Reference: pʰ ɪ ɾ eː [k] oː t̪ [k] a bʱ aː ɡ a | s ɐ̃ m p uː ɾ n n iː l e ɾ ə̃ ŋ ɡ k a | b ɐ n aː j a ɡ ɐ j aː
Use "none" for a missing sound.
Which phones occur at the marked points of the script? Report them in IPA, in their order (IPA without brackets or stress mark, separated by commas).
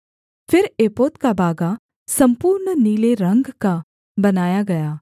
p, k